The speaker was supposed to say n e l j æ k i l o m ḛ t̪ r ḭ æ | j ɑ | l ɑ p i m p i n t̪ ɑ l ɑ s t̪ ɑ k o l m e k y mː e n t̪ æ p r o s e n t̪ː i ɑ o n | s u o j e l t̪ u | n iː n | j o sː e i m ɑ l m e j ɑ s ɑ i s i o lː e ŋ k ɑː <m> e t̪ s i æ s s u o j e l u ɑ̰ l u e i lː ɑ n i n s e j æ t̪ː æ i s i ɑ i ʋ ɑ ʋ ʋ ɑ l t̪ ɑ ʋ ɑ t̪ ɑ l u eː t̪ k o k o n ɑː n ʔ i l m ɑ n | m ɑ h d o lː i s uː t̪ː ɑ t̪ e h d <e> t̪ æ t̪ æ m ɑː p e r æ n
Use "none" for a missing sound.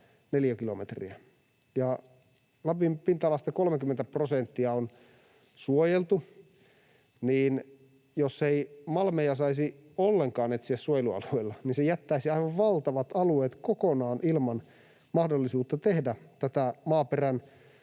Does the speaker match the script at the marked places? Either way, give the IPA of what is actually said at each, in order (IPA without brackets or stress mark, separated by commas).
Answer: n, æ